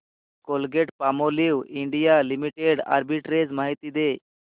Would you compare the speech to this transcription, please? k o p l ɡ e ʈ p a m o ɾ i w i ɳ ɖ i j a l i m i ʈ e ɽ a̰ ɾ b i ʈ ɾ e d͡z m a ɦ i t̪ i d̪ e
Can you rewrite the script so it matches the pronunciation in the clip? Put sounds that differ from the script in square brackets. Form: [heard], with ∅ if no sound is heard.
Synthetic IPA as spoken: k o [∅] l ɡ e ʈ p a m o [l] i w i ɳ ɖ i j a l i m i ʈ e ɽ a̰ ɾ b i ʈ ɾ e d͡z m a ɦ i t̪ i d̪ e